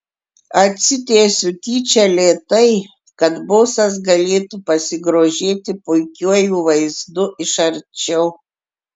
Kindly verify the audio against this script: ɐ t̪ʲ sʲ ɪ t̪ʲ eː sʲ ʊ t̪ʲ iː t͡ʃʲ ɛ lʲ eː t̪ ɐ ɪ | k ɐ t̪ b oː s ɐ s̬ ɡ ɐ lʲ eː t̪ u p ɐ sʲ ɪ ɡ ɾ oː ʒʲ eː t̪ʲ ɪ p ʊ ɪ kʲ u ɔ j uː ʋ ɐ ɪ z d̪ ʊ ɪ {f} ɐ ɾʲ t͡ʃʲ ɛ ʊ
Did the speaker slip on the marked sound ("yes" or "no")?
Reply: yes